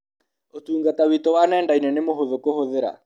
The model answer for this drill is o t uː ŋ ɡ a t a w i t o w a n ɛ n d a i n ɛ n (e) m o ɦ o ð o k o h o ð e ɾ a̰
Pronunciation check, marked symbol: correct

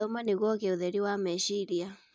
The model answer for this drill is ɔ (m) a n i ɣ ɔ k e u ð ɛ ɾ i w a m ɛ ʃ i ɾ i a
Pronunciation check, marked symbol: correct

